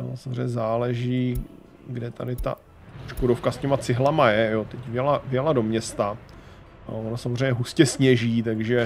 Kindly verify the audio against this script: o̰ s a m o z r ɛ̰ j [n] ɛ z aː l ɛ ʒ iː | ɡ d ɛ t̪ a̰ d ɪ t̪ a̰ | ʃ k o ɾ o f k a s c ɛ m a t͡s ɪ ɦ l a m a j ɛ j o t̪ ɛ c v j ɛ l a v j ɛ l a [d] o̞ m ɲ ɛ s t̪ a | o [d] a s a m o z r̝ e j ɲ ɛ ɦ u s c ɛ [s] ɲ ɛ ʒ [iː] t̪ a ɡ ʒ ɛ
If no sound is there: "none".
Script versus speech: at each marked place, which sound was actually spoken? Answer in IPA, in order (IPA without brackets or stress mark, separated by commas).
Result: ɲ, d, n, s, iː